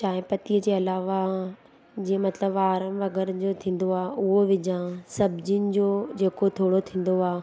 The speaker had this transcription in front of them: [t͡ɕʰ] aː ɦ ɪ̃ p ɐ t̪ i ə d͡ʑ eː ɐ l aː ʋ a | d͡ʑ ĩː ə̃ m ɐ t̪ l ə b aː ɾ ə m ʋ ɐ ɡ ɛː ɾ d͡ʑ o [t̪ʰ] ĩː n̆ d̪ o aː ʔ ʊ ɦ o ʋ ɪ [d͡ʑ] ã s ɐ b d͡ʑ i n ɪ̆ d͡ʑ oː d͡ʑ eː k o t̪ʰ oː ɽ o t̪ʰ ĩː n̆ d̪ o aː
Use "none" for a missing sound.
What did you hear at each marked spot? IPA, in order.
t͡ɕ, t̪ʰ, d͡ʑ

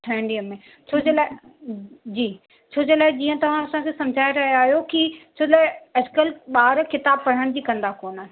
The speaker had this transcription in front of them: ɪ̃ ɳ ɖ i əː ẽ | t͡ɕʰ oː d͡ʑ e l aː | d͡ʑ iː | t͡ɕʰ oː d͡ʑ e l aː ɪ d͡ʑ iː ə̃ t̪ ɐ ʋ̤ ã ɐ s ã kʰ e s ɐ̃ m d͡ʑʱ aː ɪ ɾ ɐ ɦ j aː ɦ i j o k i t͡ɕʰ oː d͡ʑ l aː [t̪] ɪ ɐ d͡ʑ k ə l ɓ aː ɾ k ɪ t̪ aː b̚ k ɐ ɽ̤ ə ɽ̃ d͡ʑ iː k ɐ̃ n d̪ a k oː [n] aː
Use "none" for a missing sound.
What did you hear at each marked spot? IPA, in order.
none, n

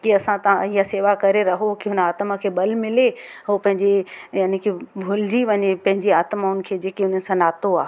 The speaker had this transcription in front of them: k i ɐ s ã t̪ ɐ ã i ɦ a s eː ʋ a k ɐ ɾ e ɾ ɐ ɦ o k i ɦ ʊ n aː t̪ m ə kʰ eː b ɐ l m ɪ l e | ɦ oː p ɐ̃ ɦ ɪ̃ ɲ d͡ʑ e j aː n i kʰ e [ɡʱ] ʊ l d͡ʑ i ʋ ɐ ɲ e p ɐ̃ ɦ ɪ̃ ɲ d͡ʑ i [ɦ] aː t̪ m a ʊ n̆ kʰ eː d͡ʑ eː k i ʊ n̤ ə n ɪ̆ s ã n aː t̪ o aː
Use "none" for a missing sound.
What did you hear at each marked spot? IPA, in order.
bʱ, none

